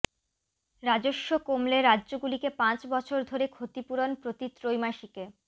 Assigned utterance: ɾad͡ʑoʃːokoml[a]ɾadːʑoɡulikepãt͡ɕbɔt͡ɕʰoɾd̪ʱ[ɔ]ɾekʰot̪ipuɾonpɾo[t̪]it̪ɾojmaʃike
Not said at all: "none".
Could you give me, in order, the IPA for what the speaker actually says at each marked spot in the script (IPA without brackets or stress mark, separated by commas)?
e, o, t̪